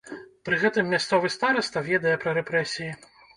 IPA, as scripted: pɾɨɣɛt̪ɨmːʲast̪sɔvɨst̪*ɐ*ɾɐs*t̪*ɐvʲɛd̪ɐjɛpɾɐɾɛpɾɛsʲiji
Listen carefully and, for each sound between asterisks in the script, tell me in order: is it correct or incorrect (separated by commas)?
incorrect, correct